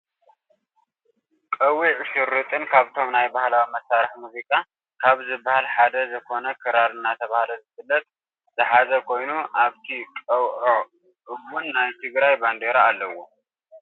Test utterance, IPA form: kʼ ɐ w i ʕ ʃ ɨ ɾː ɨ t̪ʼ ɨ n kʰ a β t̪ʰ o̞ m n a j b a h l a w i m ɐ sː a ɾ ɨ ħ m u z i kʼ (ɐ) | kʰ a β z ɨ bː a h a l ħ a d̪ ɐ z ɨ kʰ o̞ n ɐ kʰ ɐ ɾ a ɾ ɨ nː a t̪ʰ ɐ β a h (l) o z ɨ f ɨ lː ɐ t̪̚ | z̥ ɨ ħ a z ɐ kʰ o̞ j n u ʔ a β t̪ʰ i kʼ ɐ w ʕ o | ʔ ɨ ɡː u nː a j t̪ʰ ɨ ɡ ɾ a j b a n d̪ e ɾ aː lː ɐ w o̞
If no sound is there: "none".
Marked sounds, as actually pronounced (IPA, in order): a, l

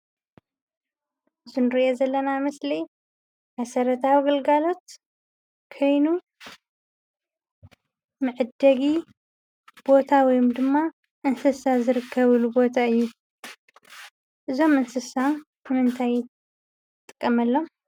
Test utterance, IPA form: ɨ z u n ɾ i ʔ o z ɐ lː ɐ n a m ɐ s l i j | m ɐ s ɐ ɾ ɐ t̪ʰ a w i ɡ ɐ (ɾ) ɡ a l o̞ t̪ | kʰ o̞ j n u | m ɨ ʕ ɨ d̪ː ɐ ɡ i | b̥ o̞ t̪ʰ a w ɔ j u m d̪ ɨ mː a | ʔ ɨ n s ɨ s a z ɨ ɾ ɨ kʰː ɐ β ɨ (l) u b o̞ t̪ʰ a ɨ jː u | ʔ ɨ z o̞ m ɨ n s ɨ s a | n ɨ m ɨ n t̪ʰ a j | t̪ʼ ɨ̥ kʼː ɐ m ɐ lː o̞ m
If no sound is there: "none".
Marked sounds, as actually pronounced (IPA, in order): l, l

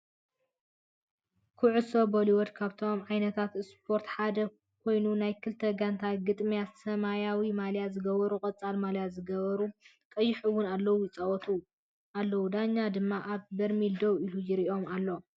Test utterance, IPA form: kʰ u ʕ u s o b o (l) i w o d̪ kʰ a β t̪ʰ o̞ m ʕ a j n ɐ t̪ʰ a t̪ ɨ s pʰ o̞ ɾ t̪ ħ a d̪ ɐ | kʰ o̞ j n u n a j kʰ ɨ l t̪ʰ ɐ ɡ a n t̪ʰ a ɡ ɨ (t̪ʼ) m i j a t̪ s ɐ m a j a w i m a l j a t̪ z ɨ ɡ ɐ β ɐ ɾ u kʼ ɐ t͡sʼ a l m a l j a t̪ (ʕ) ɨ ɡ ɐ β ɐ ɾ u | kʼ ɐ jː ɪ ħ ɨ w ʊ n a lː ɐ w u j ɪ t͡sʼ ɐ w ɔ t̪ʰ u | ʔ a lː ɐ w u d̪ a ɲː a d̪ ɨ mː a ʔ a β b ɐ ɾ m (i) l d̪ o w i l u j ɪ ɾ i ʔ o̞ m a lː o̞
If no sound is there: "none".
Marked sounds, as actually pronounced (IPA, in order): l, t̪ʼ, z, i

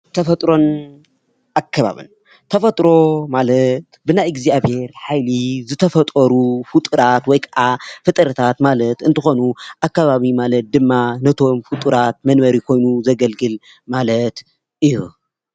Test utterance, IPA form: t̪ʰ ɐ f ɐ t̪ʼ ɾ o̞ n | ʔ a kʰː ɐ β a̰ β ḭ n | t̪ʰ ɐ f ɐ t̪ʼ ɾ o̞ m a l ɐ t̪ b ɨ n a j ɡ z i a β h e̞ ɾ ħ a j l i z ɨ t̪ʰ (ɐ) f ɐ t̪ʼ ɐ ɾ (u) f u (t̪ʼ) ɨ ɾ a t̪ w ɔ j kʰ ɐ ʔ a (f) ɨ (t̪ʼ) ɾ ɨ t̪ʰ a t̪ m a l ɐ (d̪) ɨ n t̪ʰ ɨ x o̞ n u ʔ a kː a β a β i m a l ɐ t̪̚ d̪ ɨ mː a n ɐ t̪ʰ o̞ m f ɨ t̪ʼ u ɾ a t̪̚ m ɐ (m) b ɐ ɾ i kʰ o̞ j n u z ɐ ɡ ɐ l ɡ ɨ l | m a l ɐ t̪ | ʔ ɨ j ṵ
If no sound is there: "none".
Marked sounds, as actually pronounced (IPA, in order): ɐ, u, t̪ʼ, f, t̪ʼ, t̪, n

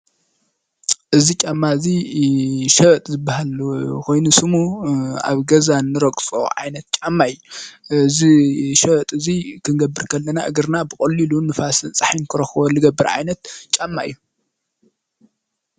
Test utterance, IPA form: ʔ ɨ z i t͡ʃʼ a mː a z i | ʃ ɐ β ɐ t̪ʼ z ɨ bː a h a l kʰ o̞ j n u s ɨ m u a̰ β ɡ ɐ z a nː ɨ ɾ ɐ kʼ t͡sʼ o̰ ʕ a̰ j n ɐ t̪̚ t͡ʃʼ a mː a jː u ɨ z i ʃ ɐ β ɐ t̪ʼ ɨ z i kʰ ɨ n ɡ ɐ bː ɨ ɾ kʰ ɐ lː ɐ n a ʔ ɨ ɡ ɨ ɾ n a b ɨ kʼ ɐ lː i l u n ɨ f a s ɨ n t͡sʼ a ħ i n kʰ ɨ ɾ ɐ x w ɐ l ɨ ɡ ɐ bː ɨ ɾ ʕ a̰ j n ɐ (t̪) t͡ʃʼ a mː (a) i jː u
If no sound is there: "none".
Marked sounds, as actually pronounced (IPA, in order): t̪, a

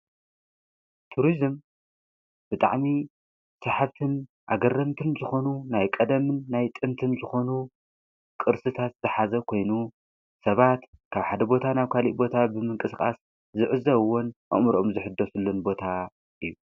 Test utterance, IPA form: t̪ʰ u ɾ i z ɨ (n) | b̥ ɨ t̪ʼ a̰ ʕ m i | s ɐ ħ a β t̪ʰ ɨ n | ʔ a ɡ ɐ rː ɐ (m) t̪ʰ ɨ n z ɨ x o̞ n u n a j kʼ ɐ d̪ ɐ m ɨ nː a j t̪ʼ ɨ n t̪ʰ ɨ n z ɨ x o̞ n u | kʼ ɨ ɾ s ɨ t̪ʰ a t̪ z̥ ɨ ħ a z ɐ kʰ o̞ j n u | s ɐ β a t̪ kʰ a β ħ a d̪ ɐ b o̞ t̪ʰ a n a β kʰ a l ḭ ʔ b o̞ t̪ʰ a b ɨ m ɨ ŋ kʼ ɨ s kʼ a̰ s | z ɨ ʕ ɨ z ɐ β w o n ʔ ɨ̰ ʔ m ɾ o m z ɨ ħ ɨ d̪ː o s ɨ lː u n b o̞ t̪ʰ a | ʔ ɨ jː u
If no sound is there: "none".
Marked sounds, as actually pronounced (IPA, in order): m, m

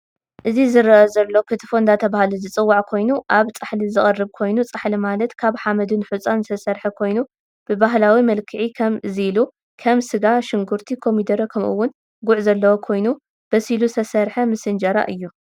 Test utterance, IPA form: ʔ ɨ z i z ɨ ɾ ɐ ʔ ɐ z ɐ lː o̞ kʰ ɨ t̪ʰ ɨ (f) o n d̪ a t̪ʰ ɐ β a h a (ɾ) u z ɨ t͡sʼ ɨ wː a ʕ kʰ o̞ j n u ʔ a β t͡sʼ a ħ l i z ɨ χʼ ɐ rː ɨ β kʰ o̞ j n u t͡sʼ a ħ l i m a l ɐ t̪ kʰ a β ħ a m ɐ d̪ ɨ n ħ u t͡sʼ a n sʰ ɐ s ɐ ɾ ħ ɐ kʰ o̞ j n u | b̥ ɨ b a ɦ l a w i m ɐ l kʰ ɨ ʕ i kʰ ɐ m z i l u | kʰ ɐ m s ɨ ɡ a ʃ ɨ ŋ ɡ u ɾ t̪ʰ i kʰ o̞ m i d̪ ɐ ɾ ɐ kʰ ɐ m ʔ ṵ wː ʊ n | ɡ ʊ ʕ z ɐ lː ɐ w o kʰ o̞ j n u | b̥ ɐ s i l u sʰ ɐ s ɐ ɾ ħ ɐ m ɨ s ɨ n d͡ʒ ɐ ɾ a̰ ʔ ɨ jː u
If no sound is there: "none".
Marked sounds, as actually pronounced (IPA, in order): f, l

